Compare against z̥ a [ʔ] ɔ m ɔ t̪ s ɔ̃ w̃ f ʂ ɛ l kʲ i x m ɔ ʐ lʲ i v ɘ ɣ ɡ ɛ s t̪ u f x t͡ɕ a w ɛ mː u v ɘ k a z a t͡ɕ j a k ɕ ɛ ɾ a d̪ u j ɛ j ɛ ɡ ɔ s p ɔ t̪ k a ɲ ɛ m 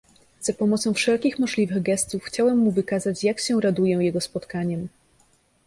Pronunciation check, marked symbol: incorrect: p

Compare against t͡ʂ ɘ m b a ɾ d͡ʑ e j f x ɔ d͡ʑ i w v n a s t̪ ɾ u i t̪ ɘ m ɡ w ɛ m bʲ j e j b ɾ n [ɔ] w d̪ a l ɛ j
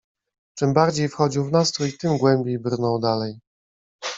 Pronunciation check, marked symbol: correct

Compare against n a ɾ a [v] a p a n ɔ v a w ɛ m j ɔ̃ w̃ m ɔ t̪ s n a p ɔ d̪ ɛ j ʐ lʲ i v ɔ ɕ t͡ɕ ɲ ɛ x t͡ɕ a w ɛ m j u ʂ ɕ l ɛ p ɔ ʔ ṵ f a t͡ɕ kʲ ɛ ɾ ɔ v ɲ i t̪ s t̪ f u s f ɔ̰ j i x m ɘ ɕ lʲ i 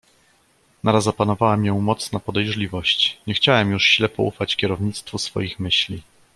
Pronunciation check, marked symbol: incorrect: z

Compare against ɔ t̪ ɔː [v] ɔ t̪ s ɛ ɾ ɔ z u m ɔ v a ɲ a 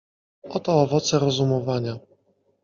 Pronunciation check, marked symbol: correct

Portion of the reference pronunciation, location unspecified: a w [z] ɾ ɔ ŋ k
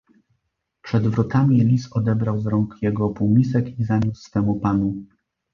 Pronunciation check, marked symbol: correct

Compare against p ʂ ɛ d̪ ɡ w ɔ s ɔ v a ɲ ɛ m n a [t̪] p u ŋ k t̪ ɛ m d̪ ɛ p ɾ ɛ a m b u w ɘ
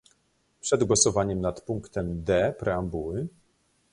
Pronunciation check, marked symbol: correct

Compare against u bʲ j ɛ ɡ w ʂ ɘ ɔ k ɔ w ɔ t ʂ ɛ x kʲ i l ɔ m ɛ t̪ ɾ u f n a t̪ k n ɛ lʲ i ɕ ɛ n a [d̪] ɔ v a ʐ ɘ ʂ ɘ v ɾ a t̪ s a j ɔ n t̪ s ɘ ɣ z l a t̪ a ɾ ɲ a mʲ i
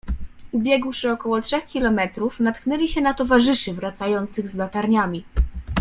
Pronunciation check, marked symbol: incorrect: t̪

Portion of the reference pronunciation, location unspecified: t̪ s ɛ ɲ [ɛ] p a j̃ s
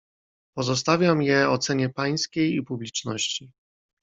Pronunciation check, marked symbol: correct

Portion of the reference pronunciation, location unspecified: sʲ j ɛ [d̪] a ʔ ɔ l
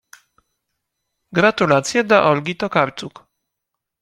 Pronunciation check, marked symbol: correct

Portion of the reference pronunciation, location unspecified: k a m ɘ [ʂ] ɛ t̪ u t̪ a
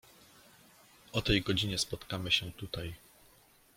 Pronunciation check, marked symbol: incorrect: ɕ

